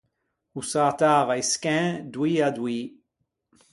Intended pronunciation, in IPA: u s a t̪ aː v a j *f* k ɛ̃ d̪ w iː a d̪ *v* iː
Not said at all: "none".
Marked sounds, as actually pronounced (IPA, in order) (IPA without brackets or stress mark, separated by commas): s, w